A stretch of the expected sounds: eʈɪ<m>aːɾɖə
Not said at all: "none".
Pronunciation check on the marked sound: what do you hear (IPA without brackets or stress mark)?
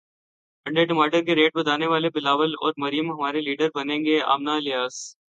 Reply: m